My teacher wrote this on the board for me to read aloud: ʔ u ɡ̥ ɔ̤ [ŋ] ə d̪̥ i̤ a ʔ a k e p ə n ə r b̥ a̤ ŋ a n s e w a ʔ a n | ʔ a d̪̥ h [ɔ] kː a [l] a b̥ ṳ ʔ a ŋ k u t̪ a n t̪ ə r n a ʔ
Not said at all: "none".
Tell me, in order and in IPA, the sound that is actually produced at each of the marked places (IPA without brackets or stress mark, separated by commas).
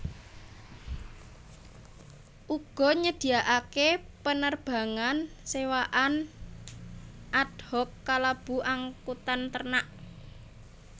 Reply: ɲ, ɔ, l